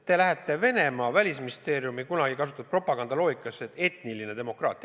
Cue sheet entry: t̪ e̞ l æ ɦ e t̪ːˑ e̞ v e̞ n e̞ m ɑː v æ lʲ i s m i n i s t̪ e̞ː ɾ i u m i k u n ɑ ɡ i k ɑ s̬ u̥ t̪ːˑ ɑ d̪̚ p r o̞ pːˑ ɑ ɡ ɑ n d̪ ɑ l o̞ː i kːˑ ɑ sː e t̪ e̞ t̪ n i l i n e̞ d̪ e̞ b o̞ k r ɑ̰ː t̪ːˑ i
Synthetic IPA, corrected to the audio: t̪ e̞ l æ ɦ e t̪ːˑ e̞ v e̞ n e̞ m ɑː v æ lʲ i s m i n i s t̪ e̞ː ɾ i u m i k u n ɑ ɡ i k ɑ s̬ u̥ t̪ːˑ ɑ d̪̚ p r o̞ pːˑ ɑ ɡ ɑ n d̪ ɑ l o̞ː i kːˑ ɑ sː e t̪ e̞ t̪ n i l i n e̞ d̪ e̞ m o̞ k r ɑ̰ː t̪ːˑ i